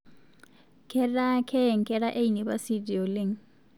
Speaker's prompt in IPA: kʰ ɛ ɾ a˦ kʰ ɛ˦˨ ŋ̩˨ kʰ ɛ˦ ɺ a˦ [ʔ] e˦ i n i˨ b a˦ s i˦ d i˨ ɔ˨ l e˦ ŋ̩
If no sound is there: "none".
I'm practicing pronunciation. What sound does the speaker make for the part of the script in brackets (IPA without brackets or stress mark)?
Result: ʔ